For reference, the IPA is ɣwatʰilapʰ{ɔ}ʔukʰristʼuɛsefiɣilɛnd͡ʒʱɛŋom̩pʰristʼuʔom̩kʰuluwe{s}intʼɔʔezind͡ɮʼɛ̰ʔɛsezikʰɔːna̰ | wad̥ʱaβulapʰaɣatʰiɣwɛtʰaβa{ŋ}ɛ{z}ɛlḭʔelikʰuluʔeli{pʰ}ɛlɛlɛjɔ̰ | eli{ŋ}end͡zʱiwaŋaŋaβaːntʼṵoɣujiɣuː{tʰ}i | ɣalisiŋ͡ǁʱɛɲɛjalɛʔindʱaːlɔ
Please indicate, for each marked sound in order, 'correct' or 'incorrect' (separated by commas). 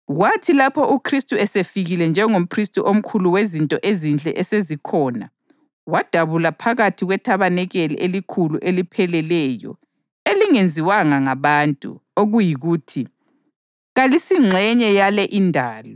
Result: correct, incorrect, incorrect, incorrect, correct, correct, correct